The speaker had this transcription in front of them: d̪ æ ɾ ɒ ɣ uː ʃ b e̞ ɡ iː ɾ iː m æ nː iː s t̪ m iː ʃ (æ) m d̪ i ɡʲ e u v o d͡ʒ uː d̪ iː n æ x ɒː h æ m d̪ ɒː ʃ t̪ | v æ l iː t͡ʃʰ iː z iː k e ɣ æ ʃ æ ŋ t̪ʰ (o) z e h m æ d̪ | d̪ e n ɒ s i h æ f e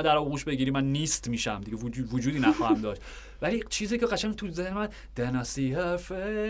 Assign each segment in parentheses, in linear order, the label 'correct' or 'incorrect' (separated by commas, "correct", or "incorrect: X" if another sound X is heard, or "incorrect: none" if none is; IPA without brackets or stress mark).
correct, incorrect: u